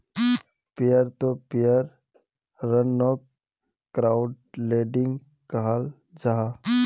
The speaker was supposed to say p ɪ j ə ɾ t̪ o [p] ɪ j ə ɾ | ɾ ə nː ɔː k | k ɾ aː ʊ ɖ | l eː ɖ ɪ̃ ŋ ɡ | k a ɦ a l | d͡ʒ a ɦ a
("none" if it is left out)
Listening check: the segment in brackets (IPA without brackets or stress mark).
p